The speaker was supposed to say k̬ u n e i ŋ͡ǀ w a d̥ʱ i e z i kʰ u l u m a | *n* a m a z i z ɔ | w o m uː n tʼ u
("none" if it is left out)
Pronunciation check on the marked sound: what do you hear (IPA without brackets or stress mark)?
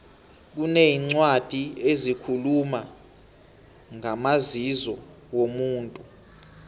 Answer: ŋ